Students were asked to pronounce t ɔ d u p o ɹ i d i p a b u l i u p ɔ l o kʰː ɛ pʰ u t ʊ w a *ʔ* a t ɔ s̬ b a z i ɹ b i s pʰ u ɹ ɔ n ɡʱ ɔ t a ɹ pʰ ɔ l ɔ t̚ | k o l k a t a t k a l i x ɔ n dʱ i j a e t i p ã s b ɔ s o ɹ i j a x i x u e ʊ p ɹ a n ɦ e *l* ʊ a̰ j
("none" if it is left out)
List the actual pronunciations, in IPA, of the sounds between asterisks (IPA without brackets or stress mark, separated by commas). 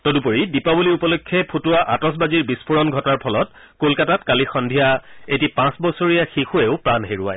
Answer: ʔ, ɹ